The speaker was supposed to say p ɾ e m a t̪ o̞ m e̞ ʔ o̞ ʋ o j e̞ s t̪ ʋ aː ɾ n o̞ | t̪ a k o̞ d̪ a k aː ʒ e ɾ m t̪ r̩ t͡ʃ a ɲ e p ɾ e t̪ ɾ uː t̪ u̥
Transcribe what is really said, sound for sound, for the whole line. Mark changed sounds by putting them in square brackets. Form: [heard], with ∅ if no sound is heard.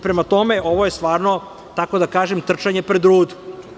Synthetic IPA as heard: p ɾ e m a t̪ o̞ m e̞ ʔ o̞ ʋ o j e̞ s t̪ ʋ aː ɾ n o̞ | t̪ a k o̞ d̪ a k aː ʒ e [∅] m t̪ r̩ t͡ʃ a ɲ e p ɾ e [d̪] ɾ uː [d̪] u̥